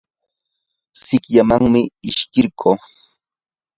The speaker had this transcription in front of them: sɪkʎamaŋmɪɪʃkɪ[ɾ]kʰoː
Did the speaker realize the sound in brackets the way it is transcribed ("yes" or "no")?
yes